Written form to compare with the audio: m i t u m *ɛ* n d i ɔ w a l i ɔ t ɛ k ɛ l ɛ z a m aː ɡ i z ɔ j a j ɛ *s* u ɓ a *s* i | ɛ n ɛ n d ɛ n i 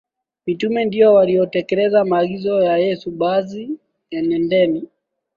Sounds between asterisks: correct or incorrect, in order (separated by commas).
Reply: correct, correct, incorrect